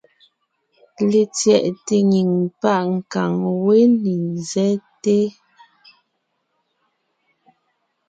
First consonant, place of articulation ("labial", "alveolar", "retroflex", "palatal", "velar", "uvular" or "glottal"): alveolar